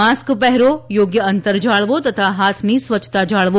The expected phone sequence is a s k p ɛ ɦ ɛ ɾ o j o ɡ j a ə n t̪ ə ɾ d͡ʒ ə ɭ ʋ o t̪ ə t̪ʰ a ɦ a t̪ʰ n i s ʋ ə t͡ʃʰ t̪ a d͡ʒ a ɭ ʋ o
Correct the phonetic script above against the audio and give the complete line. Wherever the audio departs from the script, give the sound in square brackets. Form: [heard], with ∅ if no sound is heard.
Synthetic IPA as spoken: a s k p ɛ ɦ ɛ ɾ o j o ɡ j [ə] ə n t̪ ə ɾ d͡ʒ [a] ɭ ʋ o t̪ ə t̪ʰ a ɦ a t̪ʰ n i s ʋ ə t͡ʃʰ t̪ a d͡ʒ a ɭ ʋ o